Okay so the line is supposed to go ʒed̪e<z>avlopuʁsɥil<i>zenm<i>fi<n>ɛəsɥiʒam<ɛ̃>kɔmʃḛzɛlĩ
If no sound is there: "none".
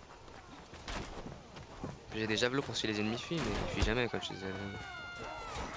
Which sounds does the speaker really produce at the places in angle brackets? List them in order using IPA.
ʒ, e, i, m, ɛ

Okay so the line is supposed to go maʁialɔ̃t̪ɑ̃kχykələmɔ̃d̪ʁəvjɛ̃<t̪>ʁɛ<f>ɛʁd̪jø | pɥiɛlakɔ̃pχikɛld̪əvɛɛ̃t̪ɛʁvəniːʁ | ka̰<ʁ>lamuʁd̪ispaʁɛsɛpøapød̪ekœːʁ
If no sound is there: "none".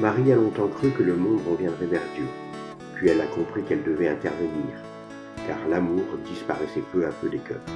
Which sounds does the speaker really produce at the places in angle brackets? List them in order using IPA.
d̪, v, ʁ

